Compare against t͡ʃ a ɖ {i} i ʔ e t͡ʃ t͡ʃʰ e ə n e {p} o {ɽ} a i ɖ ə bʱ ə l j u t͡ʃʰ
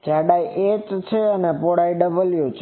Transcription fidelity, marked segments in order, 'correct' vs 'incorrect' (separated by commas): incorrect, correct, correct